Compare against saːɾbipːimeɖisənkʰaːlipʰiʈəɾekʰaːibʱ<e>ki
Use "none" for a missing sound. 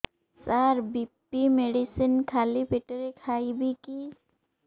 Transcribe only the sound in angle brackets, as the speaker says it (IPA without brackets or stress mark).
i